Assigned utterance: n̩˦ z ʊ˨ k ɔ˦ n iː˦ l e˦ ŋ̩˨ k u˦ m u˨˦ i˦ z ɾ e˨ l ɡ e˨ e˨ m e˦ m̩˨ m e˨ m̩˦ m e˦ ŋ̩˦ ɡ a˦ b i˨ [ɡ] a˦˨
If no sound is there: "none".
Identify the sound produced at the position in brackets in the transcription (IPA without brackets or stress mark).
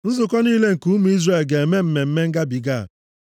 ɡ